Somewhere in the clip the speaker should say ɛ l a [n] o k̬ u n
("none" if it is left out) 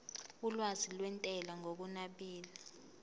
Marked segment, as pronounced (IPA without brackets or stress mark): ŋ